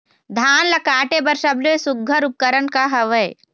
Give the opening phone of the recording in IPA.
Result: d̪ʱ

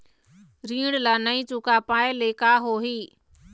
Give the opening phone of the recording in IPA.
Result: ɾ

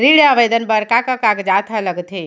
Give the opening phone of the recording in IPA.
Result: ɾ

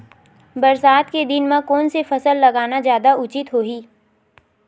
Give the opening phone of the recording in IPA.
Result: b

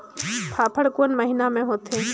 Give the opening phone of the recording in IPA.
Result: pʰ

